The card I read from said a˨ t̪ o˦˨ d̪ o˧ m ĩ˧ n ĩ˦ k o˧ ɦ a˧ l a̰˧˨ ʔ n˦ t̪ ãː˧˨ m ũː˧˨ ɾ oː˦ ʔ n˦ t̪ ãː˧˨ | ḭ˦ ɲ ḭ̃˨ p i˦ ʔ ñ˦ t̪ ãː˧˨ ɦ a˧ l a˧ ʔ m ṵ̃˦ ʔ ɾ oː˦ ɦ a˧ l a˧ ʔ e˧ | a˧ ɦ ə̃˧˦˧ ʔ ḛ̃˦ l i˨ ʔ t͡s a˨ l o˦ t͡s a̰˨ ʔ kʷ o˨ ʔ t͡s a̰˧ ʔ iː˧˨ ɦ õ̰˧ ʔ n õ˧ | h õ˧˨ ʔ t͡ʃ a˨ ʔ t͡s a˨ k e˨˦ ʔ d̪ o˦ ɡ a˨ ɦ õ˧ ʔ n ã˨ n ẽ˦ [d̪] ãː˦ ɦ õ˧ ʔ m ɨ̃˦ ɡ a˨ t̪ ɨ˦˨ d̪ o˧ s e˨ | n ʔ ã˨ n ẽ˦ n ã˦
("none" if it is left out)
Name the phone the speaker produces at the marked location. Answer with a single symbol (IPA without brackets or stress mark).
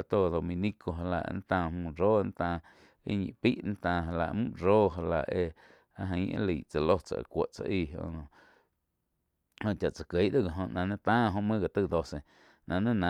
t̪